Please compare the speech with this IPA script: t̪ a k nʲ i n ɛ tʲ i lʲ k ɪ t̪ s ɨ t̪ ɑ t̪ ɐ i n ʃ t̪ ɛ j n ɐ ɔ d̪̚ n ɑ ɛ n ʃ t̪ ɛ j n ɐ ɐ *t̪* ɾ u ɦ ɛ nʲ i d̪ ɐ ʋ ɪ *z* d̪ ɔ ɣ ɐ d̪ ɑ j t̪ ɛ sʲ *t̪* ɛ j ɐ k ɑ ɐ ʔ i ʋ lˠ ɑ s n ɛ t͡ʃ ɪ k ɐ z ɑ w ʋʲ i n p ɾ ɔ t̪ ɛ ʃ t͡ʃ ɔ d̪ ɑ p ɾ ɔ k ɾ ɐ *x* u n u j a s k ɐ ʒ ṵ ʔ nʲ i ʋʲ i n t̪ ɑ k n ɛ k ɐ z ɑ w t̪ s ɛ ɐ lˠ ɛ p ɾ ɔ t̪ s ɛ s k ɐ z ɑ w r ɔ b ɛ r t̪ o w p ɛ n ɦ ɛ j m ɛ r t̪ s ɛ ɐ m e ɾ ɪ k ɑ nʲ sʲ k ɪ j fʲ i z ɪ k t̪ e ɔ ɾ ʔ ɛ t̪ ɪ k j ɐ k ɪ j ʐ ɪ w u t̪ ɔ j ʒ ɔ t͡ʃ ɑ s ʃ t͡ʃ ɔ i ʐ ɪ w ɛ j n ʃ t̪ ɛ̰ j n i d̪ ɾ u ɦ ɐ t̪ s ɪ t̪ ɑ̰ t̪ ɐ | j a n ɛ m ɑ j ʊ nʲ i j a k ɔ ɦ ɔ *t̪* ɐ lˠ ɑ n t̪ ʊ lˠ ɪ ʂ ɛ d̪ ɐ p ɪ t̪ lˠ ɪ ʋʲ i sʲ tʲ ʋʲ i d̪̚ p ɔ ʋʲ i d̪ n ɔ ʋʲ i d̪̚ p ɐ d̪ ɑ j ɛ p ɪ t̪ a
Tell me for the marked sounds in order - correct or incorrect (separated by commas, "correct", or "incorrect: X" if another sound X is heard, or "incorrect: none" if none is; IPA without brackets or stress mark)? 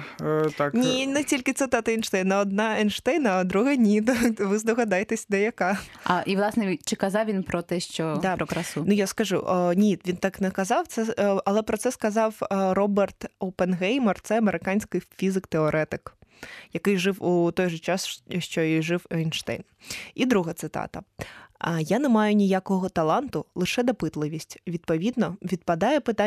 incorrect: d̪, correct, incorrect: d̪, incorrect: s, correct